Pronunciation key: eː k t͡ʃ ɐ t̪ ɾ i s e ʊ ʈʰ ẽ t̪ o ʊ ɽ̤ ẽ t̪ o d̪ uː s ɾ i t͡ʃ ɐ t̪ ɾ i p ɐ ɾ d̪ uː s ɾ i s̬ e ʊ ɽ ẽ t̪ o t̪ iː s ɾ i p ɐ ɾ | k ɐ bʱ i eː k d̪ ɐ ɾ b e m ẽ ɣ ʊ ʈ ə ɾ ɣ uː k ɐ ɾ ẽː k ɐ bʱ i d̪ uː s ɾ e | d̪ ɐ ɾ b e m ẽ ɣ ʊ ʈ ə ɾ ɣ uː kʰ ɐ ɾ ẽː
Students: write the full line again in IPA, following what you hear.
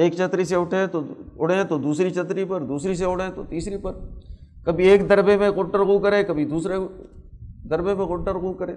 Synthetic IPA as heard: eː k t͡ʃ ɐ t̪ ɾ i s e ʊ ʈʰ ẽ t̪ o ʊ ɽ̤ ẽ t̪ o d̪ uː s ɾ i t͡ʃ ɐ t̪ ɾ i p ɐ ɾ d̪ uː s ɾ i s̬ e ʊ ɽ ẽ t̪ o t̪ iː s ɾ i p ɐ ɾ | k ɐ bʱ i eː k d̪ ɐ ɾ b e m ẽ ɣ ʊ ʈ ə ɾ ɣ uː k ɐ ɾ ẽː k ɐ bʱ i d̪ uː s ɾ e | d̪ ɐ ɾ b e m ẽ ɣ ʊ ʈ ə ɾ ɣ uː k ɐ ɾ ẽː